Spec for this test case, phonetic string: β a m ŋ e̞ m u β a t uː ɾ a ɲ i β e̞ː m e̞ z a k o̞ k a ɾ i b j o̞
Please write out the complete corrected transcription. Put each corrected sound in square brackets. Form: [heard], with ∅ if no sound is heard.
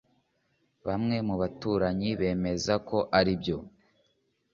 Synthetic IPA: β a m ŋ e̞ m u β a t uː ɾ a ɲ i β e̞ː m e̞ z a k o̞ [ʔ] a ɾ i b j o̞